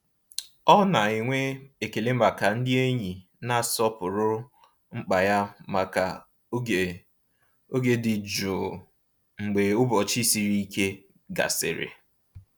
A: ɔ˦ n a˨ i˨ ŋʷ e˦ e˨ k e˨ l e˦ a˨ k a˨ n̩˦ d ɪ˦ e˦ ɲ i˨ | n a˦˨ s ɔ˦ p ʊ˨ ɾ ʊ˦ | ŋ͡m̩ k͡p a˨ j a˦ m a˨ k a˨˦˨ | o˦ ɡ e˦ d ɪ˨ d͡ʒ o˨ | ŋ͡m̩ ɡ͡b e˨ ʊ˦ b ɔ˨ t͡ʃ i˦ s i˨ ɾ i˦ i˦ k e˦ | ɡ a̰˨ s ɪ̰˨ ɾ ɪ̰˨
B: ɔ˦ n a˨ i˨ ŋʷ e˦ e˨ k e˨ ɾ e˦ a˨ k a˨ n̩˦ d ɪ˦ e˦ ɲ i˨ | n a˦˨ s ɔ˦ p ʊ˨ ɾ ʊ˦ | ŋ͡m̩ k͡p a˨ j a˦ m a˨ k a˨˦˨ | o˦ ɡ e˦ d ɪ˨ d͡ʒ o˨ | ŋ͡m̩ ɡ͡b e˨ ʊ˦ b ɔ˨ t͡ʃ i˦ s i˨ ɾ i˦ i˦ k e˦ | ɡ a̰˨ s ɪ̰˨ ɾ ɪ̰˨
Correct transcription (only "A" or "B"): A